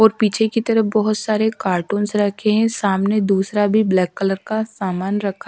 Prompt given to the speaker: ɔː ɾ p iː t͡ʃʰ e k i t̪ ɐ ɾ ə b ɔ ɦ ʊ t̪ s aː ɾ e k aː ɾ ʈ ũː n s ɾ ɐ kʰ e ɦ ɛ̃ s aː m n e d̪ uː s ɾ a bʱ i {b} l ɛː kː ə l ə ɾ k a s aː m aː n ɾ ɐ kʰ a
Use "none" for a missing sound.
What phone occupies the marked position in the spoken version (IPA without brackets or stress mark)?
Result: b